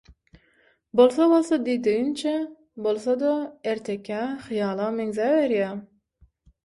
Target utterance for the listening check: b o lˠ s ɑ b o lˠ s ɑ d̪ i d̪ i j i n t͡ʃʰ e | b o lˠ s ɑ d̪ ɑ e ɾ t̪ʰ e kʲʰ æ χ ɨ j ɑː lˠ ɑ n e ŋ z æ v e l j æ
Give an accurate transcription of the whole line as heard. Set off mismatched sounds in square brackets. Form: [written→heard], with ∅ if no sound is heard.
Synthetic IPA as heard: b o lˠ s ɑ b o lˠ s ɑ d̪ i d̪ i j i n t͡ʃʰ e | b o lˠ s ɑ d̪ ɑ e ɾ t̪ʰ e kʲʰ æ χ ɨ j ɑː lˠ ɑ [n→m] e ŋ z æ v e [l→ɾ] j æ